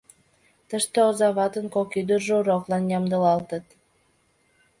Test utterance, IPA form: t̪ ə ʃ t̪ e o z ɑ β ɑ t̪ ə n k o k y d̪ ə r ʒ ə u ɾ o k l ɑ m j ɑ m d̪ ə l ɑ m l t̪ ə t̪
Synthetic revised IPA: t̪ ə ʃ t̪ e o z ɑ β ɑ t̪ ə n k o k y d̪ ə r ʒ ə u ɾ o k l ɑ n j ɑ m d̪ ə l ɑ l t̪ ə t̪